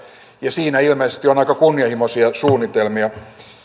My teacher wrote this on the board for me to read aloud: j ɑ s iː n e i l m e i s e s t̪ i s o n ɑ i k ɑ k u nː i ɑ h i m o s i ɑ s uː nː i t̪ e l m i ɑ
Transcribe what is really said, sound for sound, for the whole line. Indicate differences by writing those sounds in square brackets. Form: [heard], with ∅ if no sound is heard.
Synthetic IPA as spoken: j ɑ s iː n [æ] i l m e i s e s t̪ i [∅] o n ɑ i k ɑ k u nː i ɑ h i m o s i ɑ s uː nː i t̪ e l m i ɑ